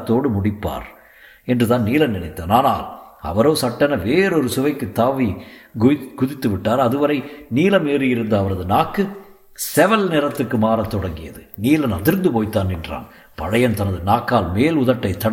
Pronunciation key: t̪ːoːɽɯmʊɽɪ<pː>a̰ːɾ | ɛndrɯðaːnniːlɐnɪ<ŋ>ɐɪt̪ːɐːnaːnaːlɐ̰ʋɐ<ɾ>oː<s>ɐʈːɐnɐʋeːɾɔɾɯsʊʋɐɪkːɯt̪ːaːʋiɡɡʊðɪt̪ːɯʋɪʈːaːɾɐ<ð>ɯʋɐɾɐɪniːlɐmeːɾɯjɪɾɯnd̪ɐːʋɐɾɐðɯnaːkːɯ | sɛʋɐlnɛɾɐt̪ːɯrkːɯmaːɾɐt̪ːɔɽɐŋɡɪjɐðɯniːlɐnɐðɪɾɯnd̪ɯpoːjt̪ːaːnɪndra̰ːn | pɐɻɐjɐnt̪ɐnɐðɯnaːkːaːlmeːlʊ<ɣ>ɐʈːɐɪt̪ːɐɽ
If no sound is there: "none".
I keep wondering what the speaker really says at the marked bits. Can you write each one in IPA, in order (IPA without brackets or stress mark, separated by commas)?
pː, n, ɾ, s, ð, ð